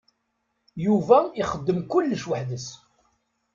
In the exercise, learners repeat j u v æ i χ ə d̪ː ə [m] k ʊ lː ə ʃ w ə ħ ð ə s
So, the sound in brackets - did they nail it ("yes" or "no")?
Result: yes